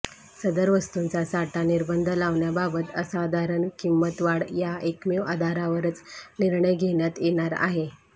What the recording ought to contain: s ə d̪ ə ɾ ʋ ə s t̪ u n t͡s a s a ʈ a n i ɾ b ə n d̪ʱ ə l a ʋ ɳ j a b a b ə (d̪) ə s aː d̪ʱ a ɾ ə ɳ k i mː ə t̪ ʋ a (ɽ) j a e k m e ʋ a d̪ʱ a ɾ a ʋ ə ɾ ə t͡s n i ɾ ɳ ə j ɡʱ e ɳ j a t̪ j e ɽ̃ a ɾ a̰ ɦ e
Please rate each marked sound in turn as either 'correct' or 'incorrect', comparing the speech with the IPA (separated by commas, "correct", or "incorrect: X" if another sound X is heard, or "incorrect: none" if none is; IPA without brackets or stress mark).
incorrect: t̪, correct